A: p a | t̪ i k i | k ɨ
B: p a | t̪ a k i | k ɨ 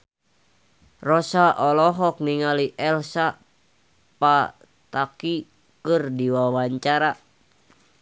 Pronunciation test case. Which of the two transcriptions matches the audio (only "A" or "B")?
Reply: B